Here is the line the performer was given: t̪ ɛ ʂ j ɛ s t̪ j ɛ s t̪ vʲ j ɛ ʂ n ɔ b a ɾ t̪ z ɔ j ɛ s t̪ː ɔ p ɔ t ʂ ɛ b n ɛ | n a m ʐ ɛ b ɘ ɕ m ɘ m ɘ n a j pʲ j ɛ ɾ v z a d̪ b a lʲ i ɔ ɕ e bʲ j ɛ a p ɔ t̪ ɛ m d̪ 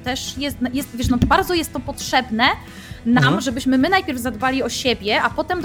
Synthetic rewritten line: t̪ ɛ ʂ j ɛ s t̪ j ɛ s t̪ vʲ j ɛ ʂ n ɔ b a ɾ d̪ z ɔ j ɛ s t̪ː ɔ p ɔ t ʂ ɛ b n ɛ | n a m ʐ ɛ b ɘ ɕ m ɘ m ɘ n a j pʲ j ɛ ɾ v z a d̪ b a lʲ i ɔ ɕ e bʲ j ɛ a p ɔ t̪ ɛ m d̪